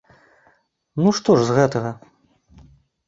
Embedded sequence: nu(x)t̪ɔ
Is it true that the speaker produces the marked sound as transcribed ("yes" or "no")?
no